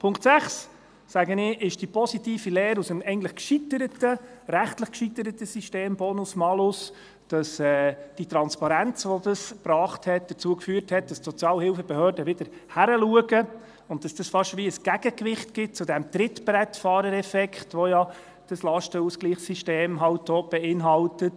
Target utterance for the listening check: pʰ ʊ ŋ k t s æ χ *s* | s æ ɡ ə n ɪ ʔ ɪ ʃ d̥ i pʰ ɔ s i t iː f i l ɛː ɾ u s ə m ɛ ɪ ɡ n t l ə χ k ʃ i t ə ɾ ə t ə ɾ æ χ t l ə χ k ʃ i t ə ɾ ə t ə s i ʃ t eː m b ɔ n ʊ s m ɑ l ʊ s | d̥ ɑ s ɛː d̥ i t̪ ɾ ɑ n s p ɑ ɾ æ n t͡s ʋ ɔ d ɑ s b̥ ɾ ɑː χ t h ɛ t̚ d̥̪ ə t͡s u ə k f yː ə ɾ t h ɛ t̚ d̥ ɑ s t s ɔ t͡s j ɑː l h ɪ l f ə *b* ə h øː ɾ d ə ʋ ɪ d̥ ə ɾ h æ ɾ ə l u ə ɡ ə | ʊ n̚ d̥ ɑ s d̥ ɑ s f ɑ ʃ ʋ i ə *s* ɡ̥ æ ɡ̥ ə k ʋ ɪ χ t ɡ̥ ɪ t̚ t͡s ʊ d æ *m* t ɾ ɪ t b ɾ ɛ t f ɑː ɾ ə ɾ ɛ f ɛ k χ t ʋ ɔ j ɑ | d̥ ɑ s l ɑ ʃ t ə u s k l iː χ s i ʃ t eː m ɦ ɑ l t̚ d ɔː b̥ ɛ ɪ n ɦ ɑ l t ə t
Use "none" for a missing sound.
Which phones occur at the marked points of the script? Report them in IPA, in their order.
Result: s, b, s, m

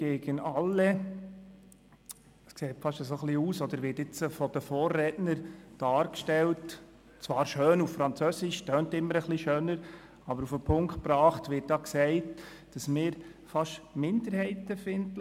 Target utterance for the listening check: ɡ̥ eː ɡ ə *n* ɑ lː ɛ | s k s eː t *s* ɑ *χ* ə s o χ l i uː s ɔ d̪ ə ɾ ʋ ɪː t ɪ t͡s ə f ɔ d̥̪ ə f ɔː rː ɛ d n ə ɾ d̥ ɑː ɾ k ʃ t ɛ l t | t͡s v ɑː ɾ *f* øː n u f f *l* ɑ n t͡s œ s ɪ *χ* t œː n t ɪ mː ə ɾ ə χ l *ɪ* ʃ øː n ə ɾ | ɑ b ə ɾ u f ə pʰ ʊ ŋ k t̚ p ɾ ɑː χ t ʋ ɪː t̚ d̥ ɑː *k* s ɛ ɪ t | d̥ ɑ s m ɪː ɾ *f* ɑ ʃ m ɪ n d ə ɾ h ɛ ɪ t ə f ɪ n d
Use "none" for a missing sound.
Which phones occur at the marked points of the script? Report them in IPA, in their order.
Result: n, f, ʃ, ʃ, ɾ, ʃ, i, k, f

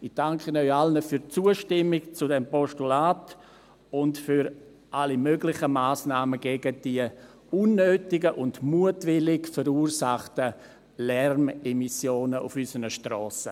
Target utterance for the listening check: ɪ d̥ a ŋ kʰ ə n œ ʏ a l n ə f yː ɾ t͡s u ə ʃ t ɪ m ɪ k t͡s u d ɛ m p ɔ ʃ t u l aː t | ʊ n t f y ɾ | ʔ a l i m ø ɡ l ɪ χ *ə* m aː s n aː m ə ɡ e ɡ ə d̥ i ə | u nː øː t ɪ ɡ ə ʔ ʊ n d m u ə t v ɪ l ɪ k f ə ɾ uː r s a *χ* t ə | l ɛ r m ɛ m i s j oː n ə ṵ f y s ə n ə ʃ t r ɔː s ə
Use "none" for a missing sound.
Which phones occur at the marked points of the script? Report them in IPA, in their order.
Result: ə, χ

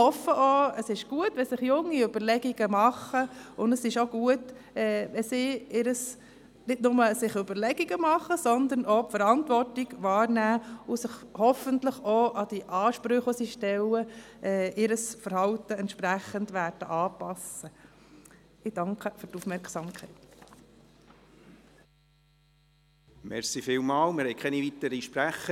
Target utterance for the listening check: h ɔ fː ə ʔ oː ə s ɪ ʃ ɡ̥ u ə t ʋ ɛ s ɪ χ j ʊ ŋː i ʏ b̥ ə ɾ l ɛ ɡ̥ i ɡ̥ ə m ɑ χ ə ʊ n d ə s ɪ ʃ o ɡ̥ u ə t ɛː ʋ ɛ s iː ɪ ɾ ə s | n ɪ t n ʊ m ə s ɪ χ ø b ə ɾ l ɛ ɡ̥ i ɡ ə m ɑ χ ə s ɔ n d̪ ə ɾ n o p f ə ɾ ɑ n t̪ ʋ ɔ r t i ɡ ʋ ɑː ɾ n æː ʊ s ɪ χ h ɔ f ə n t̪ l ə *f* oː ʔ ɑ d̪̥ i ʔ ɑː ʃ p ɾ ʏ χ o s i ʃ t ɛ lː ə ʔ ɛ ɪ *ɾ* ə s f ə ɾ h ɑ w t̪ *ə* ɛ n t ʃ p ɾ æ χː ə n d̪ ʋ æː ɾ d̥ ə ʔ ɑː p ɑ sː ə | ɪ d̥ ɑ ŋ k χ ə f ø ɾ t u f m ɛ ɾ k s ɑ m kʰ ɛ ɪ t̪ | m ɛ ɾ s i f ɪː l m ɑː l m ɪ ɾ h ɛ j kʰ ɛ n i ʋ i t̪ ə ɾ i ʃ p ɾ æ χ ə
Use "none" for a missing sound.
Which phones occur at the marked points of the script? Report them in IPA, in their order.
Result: χ, ɾ, ə

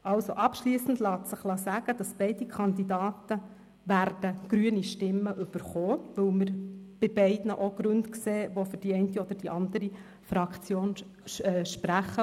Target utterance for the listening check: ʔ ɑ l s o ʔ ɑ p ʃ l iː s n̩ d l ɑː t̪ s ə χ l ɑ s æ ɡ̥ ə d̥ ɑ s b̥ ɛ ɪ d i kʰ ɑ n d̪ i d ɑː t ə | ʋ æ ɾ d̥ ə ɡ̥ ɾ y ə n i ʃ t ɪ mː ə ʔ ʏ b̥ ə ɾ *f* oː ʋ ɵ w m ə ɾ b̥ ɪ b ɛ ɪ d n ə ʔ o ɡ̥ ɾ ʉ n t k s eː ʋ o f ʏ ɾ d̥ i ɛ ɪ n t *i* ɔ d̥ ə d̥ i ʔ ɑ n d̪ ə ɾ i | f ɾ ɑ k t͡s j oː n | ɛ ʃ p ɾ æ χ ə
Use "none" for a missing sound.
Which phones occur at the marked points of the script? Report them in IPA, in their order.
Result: χ, i

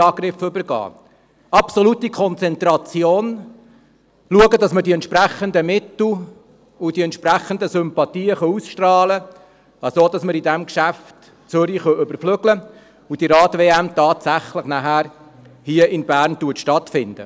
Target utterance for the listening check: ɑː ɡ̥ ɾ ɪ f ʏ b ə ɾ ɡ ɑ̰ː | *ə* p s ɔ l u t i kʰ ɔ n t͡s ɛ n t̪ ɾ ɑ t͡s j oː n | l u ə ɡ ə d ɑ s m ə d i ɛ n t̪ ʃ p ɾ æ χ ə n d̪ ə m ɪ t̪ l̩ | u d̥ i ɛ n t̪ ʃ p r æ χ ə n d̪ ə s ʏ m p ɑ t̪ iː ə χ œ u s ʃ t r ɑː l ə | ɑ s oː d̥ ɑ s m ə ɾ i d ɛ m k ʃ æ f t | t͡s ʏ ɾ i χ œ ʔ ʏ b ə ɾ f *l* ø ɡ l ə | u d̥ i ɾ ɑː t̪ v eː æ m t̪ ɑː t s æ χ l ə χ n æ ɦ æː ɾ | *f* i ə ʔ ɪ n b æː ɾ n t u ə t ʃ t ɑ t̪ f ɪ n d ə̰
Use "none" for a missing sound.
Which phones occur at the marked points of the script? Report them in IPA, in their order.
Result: ɑ, l, h

